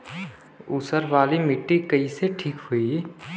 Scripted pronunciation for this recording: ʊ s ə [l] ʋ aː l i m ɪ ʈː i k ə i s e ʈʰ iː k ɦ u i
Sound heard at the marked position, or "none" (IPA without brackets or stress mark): ɾ